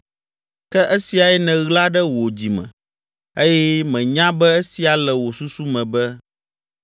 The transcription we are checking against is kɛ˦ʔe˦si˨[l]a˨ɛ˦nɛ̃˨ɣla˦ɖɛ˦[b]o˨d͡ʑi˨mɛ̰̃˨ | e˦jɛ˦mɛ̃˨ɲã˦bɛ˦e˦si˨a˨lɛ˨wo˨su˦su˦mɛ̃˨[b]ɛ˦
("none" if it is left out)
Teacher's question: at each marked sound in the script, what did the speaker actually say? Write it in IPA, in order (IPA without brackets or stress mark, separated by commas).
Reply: none, w, b